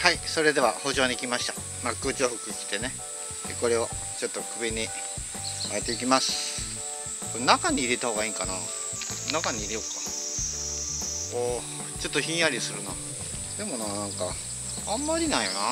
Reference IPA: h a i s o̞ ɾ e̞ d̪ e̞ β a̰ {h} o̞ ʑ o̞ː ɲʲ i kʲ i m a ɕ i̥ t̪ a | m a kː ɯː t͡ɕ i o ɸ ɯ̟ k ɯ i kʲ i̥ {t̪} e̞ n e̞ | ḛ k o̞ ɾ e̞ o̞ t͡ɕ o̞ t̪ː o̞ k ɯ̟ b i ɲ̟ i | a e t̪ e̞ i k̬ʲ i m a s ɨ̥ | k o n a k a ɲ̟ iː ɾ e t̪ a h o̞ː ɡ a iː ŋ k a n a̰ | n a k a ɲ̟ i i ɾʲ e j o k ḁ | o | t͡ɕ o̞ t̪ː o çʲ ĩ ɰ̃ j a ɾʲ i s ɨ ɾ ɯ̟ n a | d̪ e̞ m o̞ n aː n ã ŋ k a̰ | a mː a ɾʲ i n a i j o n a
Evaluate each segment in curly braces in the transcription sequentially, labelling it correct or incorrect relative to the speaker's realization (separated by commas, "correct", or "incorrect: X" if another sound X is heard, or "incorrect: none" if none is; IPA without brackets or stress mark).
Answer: correct, correct